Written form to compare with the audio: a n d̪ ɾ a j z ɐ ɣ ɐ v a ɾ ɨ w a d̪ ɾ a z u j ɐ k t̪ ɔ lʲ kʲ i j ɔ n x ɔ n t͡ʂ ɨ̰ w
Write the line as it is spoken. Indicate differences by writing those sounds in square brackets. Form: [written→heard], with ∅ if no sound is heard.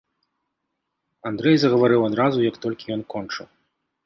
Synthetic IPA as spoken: a n d̪ ɾ [a→ɛ] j z ɐ ɣ ɐ v a ɾ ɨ w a d̪ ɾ a z u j ɐ k t̪ ɔ lʲ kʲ i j ɔ n [x→k] ɔ n t͡ʂ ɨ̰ w